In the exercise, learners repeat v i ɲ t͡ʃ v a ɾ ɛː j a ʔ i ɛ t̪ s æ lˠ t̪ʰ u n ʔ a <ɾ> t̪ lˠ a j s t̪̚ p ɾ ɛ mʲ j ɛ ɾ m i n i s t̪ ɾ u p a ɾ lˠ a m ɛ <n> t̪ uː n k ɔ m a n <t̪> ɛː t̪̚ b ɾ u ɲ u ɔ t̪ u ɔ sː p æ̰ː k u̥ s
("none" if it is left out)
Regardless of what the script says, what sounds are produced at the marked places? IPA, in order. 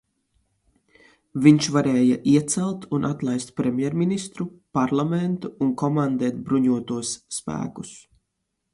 none, n, d̪

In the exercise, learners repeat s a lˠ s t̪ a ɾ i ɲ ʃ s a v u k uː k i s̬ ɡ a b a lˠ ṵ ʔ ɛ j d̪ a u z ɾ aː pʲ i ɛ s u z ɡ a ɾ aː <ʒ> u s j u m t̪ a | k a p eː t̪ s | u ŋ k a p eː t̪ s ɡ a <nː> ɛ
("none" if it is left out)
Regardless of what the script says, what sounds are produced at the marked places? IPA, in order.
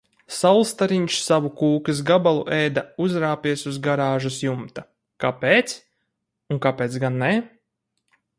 ʒ, nː

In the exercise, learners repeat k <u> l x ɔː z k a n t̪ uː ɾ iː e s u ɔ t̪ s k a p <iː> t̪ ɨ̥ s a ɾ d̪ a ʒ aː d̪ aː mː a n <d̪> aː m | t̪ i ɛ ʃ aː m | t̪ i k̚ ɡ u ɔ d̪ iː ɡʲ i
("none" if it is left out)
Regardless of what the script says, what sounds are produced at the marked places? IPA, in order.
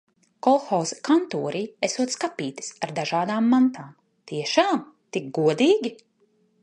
ɔ, iː, t̪

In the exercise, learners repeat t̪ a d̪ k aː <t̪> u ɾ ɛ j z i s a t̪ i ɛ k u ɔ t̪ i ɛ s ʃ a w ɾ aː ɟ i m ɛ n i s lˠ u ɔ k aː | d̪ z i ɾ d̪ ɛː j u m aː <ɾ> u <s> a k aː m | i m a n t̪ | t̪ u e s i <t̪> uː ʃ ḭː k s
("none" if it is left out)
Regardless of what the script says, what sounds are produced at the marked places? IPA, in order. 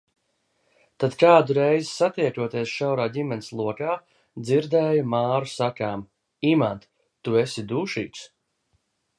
d̪, ɾ, s, d̪

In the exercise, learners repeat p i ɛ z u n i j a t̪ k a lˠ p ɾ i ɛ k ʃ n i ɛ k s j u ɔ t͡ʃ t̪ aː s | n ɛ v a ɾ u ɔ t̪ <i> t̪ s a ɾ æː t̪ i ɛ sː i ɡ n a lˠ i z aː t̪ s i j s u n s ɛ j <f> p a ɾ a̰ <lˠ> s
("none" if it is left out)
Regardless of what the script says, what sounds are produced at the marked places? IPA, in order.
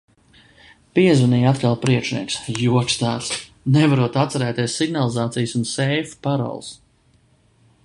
a, f, lˠ

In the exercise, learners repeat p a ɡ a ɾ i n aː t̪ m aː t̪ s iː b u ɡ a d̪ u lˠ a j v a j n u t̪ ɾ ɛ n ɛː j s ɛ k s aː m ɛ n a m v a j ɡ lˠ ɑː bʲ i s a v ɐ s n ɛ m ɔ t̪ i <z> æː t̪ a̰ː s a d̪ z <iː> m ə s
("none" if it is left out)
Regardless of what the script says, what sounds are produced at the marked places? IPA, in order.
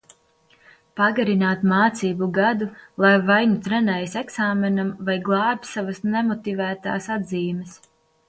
v, iː

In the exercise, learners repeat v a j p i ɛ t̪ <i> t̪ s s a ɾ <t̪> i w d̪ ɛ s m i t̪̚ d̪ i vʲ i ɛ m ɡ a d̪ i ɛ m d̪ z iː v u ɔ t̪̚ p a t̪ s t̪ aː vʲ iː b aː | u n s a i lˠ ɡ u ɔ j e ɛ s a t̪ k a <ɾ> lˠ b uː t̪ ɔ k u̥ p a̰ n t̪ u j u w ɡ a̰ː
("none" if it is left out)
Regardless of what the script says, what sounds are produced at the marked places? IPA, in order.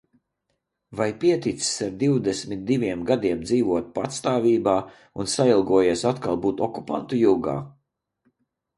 i, d̪, none

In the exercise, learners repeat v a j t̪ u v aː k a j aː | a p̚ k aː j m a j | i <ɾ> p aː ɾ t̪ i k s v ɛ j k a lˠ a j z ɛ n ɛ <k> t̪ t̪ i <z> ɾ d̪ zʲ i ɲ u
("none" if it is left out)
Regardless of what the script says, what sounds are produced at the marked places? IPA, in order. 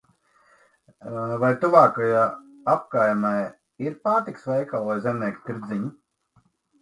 ɾ, k, none

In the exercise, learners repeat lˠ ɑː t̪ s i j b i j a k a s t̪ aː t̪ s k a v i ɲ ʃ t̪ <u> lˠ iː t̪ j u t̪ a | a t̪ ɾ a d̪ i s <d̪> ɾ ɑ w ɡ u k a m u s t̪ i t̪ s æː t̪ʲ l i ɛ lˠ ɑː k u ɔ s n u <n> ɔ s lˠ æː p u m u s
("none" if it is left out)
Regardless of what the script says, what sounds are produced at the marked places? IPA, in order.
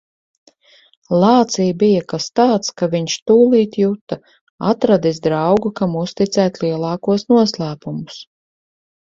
uː, d̪, none

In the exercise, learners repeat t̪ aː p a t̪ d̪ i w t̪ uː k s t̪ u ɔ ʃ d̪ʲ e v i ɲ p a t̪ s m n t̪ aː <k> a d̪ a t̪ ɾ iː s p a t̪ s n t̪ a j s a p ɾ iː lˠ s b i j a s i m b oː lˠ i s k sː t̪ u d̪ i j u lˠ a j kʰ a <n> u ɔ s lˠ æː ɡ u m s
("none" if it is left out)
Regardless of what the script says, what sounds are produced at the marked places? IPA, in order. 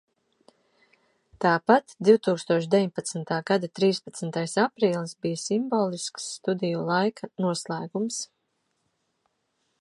ɡ, n

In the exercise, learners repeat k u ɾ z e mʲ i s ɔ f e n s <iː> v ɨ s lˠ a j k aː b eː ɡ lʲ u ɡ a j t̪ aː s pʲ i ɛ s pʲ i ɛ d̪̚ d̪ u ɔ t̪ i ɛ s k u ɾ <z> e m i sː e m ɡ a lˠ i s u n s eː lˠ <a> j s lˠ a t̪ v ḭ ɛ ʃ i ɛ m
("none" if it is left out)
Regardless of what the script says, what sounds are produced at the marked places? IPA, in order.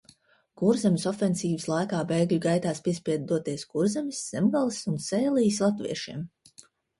iː, z, i

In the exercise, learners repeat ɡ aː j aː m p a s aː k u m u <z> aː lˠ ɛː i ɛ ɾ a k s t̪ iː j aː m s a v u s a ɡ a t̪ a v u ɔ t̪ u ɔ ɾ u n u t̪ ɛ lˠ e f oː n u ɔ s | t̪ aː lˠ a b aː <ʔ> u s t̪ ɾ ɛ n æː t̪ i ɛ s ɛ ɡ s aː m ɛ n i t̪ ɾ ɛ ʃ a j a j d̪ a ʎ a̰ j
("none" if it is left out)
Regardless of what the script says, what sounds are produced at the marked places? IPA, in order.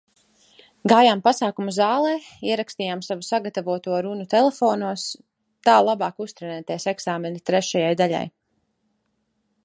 z, k

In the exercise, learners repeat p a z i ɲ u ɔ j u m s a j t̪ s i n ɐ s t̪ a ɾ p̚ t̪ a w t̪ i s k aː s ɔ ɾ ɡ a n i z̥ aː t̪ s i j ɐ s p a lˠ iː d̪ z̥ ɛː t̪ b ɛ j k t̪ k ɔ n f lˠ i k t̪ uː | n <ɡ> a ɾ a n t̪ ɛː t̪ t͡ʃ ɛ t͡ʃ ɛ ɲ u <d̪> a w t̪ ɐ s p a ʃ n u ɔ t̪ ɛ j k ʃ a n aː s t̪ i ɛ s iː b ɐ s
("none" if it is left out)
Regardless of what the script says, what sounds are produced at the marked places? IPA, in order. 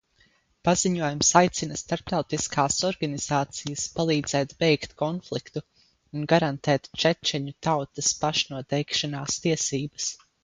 ɡ, t̪

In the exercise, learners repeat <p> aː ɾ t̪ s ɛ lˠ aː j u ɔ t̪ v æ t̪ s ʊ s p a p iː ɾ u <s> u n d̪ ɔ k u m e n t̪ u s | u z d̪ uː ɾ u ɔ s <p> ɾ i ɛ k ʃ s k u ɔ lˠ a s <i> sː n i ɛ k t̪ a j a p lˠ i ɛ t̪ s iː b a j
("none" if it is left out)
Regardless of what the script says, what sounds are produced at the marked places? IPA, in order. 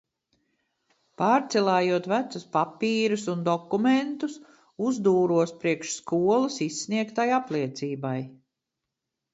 p, s, p, i

